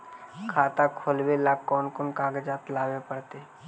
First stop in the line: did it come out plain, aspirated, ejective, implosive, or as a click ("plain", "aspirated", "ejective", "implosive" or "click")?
aspirated